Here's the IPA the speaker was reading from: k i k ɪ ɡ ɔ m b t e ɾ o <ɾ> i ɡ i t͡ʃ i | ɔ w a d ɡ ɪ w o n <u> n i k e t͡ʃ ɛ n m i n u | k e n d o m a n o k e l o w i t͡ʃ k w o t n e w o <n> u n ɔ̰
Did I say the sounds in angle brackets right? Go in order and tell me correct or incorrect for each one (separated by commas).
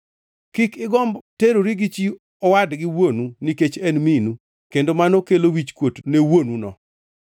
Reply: correct, correct, correct